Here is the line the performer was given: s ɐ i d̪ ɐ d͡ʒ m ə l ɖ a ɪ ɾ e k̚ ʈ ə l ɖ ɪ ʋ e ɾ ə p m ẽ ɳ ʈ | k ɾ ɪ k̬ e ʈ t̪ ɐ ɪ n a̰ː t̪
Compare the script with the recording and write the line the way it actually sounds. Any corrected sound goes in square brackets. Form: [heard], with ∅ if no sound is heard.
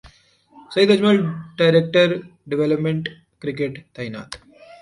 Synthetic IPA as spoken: s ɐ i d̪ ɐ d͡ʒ m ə l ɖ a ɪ ɾ e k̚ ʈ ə [ɾ] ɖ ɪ ʋ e [l] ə p m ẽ ɳ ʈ | k ɾ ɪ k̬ e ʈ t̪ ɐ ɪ n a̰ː t̪